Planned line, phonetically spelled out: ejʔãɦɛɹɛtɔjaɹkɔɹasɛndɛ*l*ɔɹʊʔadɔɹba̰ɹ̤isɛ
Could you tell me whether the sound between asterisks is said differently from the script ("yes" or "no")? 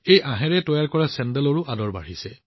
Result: no